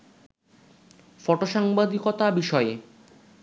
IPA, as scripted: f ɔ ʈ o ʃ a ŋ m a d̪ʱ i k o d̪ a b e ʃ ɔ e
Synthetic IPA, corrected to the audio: f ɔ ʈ o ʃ a ŋ b a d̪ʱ i k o t̪ a b i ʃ ɔ e